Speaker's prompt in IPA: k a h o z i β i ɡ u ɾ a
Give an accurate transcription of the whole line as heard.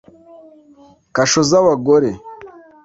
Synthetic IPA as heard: k a ʃ o z a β a ɡ o ɾ e